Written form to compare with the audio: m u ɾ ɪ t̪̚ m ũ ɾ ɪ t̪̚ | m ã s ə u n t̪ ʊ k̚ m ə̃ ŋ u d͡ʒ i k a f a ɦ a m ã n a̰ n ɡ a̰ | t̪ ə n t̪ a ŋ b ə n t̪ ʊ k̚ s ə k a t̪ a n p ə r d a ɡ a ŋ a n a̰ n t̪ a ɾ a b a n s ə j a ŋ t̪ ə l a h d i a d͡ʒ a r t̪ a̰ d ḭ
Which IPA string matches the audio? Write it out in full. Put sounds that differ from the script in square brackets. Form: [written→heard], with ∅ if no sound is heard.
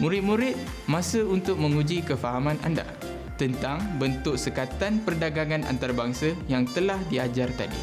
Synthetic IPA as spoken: m u ɾ ɪ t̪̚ m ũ ɾ ɪ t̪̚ | m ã s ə u n t̪ ʊ k̚ m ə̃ ŋ u d͡ʒ i k [a→ə] f a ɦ a m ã n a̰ n [ɡ→d] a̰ | t̪ ə n t̪ a ŋ b ə n t̪ ʊ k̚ s ə k a t̪ a n p ə r d a ɡ a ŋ a n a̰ n t̪ a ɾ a b a [n→ŋ] s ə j a ŋ t̪ ə l a h d i a d͡ʒ a r t̪ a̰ d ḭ